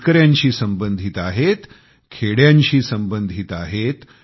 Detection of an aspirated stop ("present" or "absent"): present